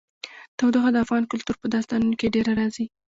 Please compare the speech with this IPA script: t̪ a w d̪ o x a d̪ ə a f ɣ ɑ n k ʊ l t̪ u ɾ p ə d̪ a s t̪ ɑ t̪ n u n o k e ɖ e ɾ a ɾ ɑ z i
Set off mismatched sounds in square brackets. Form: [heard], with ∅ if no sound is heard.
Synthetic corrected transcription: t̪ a w d̪ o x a d̪ ə a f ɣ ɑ n k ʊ l t̪ u ɾ p ə d̪ [ɑ] s t̪ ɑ [∅] n u n o k e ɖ e ɾ a ɾ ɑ z i